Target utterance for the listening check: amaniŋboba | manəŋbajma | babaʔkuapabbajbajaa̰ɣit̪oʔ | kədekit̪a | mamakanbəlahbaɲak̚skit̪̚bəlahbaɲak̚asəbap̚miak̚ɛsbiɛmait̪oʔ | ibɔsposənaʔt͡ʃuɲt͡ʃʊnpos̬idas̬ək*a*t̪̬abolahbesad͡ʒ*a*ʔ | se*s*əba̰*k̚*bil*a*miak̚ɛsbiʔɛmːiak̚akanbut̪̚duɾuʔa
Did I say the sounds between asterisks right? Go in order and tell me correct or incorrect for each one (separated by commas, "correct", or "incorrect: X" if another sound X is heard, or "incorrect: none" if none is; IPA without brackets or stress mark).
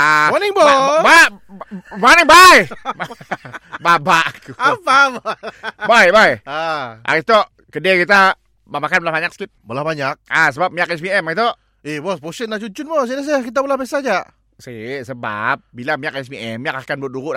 incorrect: i, correct, correct, incorrect: p̚, correct